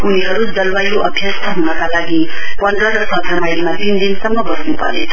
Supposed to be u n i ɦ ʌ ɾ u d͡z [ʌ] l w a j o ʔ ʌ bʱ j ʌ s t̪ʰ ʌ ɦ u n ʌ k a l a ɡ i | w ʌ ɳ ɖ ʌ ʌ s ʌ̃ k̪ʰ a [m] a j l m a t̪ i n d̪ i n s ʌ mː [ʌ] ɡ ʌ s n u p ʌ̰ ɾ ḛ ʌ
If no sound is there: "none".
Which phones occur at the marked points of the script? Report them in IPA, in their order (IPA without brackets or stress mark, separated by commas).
ʌ, m, ʌ